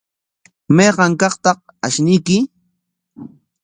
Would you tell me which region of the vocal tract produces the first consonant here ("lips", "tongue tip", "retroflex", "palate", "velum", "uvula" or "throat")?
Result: lips